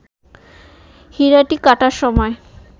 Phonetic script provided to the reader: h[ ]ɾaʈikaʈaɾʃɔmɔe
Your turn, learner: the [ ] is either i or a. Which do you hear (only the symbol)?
i